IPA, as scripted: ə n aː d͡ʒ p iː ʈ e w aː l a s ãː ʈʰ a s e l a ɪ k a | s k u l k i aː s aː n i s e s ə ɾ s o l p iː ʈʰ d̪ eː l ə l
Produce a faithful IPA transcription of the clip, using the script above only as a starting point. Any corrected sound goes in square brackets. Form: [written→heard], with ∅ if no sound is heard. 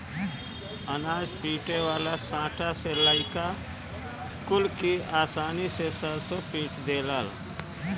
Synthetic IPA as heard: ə n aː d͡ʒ p iː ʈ e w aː l a s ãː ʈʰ a s e l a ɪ k a | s k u l k i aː s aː n i s e s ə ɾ s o [l→∅] p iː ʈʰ d̪ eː l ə l